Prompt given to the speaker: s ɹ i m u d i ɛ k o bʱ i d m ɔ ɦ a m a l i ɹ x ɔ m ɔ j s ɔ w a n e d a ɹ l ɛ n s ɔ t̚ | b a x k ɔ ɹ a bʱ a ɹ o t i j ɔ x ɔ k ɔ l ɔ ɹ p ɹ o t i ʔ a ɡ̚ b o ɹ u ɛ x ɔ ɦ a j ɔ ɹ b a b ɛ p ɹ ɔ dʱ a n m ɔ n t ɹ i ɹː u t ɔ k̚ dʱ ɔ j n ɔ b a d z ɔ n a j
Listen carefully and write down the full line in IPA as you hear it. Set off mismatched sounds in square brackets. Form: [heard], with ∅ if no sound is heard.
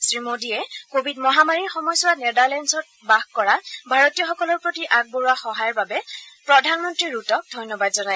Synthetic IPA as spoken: s ɹ i m [o] d i ɛ k o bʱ i d m ɔ ɦ a m a [ɹ] i ɹ x ɔ m ɔ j s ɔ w a n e d a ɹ l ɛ n s ɔ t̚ | b a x k ɔ ɹ a bʱ a ɹ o t i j ɔ x ɔ k ɔ l ɔ ɹ p ɹ o t i ʔ a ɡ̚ b o ɹ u [a] x ɔ ɦ a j ɔ ɹ b a b ɛ p ɹ ɔ dʱ a n m ɔ n t ɹ i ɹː u t ɔ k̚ dʱ ɔ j n ɔ b a d z ɔ n a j